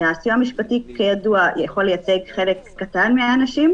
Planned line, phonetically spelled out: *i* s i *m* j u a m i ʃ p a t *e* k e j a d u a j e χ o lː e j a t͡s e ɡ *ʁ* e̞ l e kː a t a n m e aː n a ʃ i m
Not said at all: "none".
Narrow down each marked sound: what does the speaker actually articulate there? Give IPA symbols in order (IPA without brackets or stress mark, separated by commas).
a, none, i, χ